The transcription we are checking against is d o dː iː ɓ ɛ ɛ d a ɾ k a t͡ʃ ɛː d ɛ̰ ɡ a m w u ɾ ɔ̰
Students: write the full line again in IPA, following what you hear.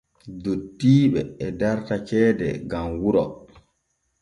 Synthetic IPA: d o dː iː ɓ ɛ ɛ d a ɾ t a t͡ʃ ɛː d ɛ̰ ɡ a m w u ɾ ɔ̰